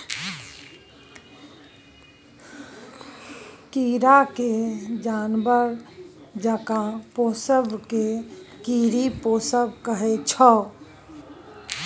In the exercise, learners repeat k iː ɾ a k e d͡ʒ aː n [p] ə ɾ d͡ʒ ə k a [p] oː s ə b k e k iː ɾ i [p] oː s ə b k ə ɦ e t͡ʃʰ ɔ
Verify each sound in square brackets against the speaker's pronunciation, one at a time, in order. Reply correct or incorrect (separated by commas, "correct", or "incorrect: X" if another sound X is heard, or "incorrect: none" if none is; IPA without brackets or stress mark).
incorrect: b, correct, correct